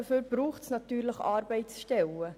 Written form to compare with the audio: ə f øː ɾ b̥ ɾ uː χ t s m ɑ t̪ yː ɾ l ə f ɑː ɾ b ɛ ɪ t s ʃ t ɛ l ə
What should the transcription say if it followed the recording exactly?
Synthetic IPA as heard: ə f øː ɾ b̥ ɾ uː χ t s n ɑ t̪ yː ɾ l ə χ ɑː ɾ b ɛ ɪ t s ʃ t ɛ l ə